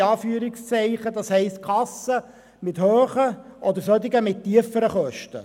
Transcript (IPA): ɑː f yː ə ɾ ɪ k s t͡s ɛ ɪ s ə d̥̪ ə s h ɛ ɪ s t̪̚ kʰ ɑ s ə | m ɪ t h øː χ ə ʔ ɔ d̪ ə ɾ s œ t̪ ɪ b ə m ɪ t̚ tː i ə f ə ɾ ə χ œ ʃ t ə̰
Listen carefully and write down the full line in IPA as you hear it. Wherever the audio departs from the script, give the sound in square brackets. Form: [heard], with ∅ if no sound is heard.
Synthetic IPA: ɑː f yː ə ɾ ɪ k s t͡s ɛ ɪ [χ] ə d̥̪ [ɑ] s h ɛ ɪ s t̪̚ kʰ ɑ s ə | m ɪ t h øː χ ə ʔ ɔ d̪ ə ɾ s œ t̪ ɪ [ɡ] ə m ɪ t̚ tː i ə f ə ɾ ə χ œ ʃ t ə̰